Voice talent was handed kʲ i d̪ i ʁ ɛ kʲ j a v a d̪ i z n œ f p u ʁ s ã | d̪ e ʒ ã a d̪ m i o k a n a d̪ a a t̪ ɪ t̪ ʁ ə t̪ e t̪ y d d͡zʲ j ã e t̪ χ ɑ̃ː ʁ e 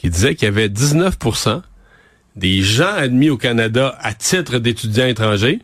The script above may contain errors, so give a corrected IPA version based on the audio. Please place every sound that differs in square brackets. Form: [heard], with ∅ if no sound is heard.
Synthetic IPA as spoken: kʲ i d̪ i [z] ɛ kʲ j a v [ɛ] d̪ i z n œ f p u ʁ s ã | d̪ e ʒ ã a d̪ m i o k a n a d̪ a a t̪ ɪ t̪ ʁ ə [d̪] e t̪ y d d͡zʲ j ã e t̪ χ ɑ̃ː [ʒ] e